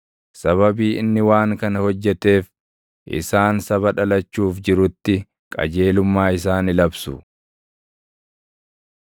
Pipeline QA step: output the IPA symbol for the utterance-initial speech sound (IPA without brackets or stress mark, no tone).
s